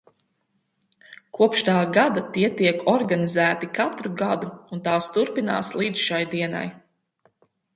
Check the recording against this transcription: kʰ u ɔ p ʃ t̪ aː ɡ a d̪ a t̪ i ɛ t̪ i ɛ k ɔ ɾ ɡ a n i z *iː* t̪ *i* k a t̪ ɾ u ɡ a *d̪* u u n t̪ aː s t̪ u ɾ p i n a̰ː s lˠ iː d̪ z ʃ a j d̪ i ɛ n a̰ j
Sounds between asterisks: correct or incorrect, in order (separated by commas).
incorrect, correct, correct